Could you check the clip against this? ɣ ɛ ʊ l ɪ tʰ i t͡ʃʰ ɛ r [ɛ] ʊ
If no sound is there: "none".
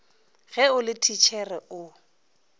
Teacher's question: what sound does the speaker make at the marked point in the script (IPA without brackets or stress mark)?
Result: ɛ